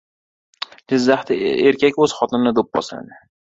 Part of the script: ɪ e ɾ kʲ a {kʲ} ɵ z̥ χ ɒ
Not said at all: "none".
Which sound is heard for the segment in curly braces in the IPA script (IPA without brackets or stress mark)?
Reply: kʲ